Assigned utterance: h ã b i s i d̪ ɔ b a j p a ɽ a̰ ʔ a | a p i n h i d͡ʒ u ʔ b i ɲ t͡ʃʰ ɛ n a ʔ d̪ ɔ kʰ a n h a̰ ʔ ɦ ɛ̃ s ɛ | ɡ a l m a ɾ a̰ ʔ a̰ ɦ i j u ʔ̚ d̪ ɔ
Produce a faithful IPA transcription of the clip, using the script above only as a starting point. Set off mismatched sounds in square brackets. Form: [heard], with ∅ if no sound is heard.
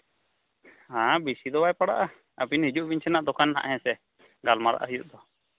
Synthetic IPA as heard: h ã b i s i d̪ ɔ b a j p a ɽ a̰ ʔ a | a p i n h i d͡ʒ u ʔ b i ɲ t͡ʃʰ ɛ n a ʔ d̪ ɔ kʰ a n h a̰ ʔ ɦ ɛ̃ s ɛ | ɡ a l m a ɾ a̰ ʔ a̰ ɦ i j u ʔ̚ d̪ ɔ